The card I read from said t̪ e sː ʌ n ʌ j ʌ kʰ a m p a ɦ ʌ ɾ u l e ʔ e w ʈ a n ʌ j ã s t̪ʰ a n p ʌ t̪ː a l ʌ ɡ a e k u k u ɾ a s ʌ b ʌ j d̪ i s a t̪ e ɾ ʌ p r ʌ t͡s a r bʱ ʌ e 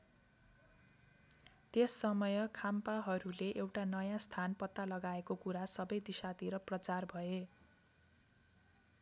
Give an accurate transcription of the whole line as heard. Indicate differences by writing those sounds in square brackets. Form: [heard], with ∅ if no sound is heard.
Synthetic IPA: t̪ e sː ʌ [m] ʌ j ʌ kʰ a m p a ɦ ʌ ɾ u l e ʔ e w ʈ a n ʌ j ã s t̪ʰ a n p ʌ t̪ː a l ʌ ɡ a e k [o] k u ɾ a s ʌ b ʌ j d̪ i s a t̪ [i] ɾ ʌ p r ʌ t͡s a r bʱ ʌ e